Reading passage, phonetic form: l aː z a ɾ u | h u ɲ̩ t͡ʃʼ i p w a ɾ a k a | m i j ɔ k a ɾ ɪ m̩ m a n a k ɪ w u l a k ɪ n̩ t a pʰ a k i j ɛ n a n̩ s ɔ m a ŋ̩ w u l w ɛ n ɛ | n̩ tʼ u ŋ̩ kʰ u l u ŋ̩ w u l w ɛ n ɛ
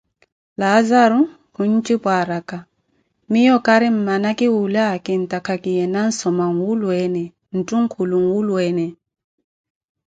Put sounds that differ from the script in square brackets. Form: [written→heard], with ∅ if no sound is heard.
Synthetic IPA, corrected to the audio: l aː z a ɾ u | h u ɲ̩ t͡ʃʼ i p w a ɾ a k a | m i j ɔ k a ɾ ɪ m̩ m a n a k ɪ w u l a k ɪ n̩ t a [pʰ→kʰ] a k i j ɛ n a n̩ s ɔ m a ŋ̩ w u l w ɛ n ɛ | n̩ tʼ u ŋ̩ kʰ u l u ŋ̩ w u l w ɛ n ɛ